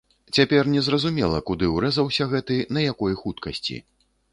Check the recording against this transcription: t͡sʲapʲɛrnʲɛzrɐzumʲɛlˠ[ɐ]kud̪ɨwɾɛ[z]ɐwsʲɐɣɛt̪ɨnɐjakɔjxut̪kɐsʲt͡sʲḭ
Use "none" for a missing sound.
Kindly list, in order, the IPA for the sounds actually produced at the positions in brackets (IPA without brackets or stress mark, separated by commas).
ɐ, z